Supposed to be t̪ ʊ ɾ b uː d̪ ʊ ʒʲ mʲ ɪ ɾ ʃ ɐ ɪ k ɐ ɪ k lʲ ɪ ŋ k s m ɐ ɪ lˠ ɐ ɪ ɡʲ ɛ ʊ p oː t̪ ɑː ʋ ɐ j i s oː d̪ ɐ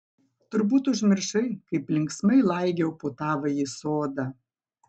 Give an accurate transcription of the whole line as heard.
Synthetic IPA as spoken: t̪ ʊ ɾ b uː t̪ ʊ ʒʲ mʲ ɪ ɾ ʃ ɐ ɪ k ɐ ɪ p lʲ ɪ ŋ k s m ɐ ɪ lˠ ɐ ɪ ɡʲ ɛ ʊ p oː t̪ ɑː ʋ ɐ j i s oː d̪ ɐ